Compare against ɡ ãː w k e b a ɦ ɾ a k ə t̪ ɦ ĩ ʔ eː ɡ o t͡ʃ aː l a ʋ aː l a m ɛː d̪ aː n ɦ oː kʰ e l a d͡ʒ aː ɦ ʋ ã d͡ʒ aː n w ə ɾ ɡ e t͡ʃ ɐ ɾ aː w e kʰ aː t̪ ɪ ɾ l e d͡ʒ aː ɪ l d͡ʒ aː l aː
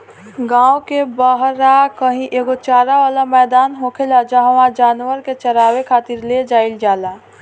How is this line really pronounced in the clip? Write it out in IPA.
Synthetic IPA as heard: ɡ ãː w k e b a ɦ ɾ a k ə ɦ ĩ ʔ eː ɡ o t͡ʃ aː ɾ a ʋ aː l a m ɛː d̪ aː n ɦ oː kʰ e l a d͡ʒ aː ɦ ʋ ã d͡ʒ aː n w ə ɾ k e t͡ʃ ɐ ɾ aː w e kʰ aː t̪ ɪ ɾ l e d͡ʒ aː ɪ l d͡ʒ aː l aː